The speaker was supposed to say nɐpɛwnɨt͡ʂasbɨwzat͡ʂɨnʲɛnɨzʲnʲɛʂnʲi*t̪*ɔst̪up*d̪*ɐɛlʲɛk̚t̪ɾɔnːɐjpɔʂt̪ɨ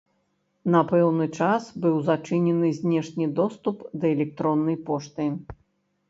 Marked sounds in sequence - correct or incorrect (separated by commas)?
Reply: incorrect, correct